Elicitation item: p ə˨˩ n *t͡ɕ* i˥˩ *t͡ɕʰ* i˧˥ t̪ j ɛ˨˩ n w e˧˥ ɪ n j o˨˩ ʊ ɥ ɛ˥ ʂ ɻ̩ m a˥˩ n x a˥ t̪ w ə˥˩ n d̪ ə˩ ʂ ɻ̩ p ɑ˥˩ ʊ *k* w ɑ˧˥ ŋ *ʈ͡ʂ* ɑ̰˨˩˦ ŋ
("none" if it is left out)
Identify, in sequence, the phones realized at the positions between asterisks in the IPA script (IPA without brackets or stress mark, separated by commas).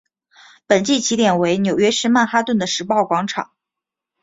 t͡ɕ, t͡ɕʰ, k, ʈ͡ʂʰ